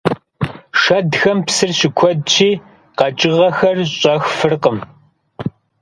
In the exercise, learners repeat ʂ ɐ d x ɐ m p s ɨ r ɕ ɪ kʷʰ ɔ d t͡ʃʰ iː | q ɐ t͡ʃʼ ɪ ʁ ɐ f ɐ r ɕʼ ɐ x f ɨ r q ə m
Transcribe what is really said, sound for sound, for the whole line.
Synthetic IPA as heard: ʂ ɐ d x ɐ m p s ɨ r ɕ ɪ kʷʰ ɔ d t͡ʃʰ iː | q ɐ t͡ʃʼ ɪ ʁ ɐ x ɐ r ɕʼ ɐ x f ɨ r q ə m